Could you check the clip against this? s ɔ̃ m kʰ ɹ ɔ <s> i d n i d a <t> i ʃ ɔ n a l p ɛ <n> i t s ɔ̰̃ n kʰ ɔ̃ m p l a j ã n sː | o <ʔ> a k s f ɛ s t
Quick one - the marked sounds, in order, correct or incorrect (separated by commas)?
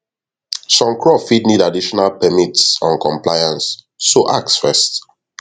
incorrect, incorrect, incorrect, correct